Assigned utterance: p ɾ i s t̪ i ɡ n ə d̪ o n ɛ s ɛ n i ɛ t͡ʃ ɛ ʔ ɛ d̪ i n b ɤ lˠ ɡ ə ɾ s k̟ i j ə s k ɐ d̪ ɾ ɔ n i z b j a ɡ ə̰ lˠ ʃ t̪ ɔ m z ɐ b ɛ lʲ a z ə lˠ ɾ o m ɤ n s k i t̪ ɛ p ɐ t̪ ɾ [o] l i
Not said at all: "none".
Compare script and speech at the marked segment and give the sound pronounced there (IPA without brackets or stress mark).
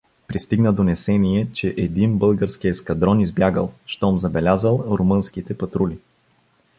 u